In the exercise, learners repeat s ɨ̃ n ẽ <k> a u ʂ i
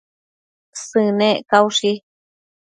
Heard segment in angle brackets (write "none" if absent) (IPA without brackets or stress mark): k